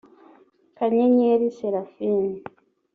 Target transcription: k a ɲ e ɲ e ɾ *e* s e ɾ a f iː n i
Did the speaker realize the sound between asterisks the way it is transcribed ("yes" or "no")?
no